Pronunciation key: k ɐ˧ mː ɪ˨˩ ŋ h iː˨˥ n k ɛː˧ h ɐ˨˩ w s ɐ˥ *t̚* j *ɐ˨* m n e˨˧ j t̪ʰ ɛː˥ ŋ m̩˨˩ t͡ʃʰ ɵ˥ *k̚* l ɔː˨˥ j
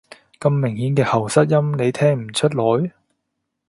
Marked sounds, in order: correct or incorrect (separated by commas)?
correct, incorrect, incorrect